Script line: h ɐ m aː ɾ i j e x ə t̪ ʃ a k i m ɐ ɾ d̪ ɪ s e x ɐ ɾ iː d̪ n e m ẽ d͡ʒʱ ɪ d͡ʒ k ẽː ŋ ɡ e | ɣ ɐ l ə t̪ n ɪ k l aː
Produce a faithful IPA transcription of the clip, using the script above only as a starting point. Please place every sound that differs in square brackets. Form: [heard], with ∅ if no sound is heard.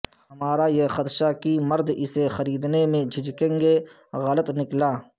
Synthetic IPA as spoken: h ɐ m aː ɾ [a] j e x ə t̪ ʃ a k i m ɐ ɾ d̪ ɪ s e x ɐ ɾ iː d̪ n e m ẽ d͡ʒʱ ɪ d͡ʒ k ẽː ŋ ɡ e | ɣ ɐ l ə t̪ n ɪ k l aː